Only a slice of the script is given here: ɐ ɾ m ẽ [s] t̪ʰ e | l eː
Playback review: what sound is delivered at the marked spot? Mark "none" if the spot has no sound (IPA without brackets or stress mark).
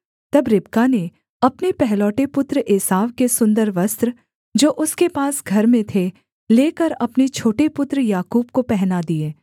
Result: none